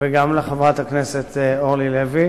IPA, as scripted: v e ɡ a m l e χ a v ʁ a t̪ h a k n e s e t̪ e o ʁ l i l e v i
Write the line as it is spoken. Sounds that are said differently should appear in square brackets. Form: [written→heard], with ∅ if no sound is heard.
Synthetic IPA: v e ɡ a m l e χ a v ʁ a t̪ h a k n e s e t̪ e o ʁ l i l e v i

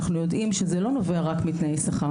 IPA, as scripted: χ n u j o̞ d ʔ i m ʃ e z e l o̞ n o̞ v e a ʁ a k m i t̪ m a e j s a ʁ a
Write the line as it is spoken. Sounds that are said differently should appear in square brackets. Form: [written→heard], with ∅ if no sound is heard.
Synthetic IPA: χ n u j o̞ d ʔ i m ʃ e z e l o̞ n o̞ v e a ʁ a k m i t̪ [m→n] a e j s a [ʁ→χ] a

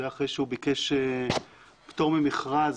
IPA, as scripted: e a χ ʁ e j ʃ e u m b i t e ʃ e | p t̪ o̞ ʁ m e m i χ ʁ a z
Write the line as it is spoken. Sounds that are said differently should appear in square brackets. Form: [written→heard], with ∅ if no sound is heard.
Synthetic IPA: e a χ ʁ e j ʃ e u [m→∅] b i [t→k] e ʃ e | p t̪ o̞ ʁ m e m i χ ʁ a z

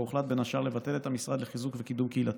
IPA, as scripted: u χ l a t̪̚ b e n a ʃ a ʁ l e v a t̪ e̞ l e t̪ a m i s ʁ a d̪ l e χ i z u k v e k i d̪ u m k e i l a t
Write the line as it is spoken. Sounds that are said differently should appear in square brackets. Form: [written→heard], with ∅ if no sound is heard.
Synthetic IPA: u χ l a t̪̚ b e n a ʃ a ʁ l e v a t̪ e̞ l e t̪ a m i s ʁ a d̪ l e χ i z u k v e k i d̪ u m k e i l a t

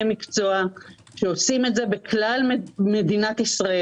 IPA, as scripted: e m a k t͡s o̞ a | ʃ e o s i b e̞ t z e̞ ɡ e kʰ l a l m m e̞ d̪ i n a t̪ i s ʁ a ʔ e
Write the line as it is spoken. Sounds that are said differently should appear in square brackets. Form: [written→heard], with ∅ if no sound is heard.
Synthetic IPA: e m [a→i] k t͡s o̞ a | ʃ e o s i [b→m] e̞ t z e̞ [ɡ→b] e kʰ l a l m m e̞ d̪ i n a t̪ i s ʁ a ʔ e

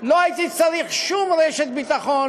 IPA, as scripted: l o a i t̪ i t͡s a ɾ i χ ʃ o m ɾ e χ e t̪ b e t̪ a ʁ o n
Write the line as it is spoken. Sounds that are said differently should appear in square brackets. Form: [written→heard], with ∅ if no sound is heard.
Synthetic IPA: l o a i t̪ i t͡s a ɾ i χ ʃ [o→u] m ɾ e [χ→ʃ] e t̪ b [e→i] t̪ a [ʁ→χ] o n

